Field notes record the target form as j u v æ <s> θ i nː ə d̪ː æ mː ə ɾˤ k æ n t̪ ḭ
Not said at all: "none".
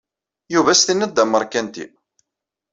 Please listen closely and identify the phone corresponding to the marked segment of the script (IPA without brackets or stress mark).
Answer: s